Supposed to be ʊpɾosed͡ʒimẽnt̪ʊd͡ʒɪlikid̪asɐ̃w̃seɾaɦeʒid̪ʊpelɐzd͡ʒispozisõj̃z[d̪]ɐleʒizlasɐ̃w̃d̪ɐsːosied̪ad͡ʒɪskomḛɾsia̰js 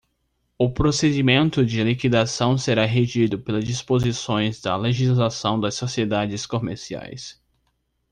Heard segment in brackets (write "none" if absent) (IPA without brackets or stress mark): d̪